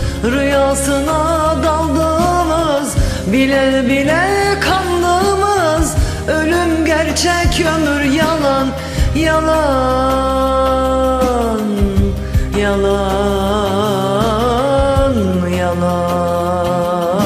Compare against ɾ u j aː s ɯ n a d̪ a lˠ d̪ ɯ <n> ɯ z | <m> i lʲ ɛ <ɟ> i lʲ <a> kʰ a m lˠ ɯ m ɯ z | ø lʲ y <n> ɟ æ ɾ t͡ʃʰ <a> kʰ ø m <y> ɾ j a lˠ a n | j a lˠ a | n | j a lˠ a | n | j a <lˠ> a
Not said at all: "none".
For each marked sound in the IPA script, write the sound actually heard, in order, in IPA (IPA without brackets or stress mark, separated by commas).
m, b, b, ɛ, m, ɛ, y, lˠ